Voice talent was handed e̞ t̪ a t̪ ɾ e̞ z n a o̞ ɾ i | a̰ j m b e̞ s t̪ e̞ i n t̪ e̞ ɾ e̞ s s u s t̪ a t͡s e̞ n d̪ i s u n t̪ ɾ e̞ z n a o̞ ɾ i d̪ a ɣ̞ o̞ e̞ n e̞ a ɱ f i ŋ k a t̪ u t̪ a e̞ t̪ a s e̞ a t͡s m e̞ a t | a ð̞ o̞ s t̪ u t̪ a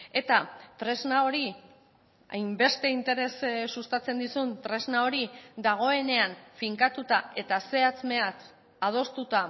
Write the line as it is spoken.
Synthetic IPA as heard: e̞ t̪ a t̪ ɾ e̞ z n a o̞ ɾ i | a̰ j m b e̞ s t̪ e̞ i n t̪ e̞ ɾ e̞ s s u s t̪ a t͡s e̞ n d̪ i s u n t̪ ɾ e̞ z n a o̞ ɾ i d̪ a ɣ̞ o̞ e̞ n e̞ a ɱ f i ŋ k a t̪ u t̪ a e̞ t̪ a s e̞ a t͡s m e̞ a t | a ð̞ o̞ s t̪ u t̪ a